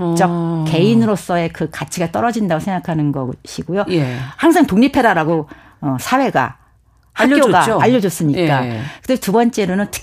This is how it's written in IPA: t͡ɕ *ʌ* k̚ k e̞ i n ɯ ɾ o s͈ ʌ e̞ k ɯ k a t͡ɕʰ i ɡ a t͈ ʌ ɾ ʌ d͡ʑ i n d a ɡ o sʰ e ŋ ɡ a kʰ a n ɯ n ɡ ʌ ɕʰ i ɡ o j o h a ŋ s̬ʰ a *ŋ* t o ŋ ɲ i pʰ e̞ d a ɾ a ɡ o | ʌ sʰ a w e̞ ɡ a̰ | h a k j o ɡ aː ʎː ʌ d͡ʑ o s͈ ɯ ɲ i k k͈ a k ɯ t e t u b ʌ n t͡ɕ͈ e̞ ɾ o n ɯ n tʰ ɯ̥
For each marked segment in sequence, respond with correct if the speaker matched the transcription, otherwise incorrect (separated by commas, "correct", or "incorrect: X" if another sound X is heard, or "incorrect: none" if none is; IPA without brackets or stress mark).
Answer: correct, correct